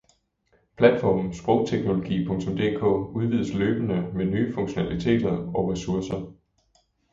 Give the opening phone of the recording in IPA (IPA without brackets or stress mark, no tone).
pʰ